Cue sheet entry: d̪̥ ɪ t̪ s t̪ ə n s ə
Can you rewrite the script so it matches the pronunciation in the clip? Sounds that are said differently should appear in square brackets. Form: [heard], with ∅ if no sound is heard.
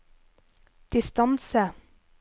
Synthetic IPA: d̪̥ ɪ [∅] s t̪ [ɑ] n s ə